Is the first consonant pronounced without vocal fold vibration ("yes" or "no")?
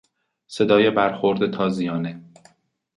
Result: yes